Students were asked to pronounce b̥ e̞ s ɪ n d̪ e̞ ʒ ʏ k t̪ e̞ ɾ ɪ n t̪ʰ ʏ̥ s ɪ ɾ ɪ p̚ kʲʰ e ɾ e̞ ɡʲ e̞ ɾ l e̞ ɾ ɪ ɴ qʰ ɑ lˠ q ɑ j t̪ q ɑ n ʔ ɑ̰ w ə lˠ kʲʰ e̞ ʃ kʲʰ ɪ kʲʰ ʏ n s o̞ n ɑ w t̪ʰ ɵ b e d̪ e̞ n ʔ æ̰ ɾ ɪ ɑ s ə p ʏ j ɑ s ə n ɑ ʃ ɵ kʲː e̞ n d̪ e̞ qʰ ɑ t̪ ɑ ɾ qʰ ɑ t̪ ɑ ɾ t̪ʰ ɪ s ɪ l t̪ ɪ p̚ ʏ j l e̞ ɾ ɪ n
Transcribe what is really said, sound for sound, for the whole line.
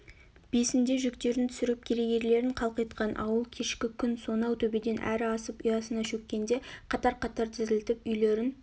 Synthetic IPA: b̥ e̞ s ɪ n d̪ e̞ ʒ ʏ k t̪ e̞ ɾ ɪ n t̪ʰ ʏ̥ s ɪ ɾ ɪ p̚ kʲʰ e ɾ e̞ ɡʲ e̞ ɾ l e̞ ɾ ɪ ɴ qʰ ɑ lˠ q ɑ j t̪ q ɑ n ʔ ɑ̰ w ə lˠ kʲʰ e̞ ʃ kʲ ɪ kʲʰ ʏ n s o̞ n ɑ w t̪ʰ ɵ b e d̪ e̞ n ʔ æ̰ ɾ ɪ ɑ s ə p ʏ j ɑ s ə n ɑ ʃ ɵ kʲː e̞ n d̪ e̞ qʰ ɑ t̪ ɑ ɾ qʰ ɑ t̪ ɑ ɾ t̪ʰ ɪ z ɪ l t̪ ɪ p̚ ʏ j l e̞ ɾ ɪ n

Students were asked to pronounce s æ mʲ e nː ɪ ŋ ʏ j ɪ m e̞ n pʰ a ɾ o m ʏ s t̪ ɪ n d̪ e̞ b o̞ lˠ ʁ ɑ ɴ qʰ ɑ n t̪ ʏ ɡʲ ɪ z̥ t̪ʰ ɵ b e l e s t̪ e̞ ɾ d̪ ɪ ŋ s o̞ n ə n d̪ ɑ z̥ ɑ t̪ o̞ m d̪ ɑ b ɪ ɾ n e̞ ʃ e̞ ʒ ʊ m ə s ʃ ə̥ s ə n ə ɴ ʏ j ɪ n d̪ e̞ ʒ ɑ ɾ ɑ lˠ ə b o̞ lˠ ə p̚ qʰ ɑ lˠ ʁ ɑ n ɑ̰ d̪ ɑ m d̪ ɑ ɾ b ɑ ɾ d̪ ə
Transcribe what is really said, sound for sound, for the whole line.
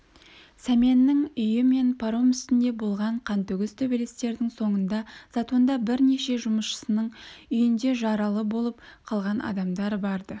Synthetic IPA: s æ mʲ e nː ɪ ŋ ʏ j ɪ m e̞ n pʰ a ɾ o m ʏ s t̪ ɪ n d̪ e̞ b o̞ lˠ ʁ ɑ ɴ qʰ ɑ n t̪ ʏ ɡʲ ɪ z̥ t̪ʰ ɵ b e l e s t̪ e̞ ɾ d̪ ɪ ŋ s o̞ ɴ ə n d̪ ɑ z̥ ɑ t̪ o̞ n d̪ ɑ b ɪ ɾ n e̞ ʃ e̞ ʒ ʊ m ə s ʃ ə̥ s ə n ə ɴ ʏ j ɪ n d̪ e̞ ʒ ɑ ɾ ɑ lˠ ə b o̞ lˠ ə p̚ qʰ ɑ lˠ ʁ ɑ n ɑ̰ d̪ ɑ m d̪ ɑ ɾ b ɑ ɾ d̪ ə

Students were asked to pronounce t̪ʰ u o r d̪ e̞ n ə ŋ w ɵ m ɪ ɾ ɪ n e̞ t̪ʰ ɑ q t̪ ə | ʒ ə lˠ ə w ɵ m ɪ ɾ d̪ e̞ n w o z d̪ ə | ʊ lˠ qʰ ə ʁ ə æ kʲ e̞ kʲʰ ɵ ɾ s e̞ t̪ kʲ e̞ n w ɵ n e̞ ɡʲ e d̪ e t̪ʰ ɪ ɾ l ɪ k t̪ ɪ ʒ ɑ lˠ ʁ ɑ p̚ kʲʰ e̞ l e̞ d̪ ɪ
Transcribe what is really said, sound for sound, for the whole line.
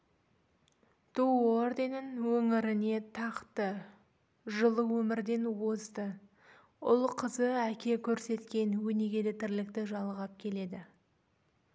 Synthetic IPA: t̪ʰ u o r d̪ e̞ n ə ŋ w ɵ ŋ ɪ ɾ ɪ n e̞ t̪ʰ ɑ q t̪ ə | ʒ ə lˠ ə w ɵ m ɪ ɾ d̪ e̞ n w o z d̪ ə | ʊ lˠ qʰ ə z ə æ kʲ e̞ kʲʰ ɵ ɾ s e̞ t̪ kʲ e̞ n w ɵ n e̞ ɡʲ e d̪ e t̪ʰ ɪ ɾ l ɪ k t̪ ɪ ʒ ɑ lˠ ʁ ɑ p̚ kʲʰ e̞ l e̞ d̪ ɪ

